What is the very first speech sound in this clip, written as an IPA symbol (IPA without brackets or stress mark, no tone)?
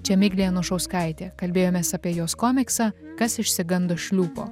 t͡ʃʲ